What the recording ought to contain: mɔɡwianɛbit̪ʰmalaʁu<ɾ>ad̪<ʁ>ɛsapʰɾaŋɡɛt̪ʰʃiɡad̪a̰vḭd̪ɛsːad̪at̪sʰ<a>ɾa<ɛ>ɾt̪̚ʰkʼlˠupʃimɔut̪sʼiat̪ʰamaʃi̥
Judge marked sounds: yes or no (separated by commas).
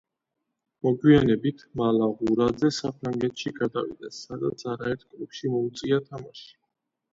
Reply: yes, no, yes, yes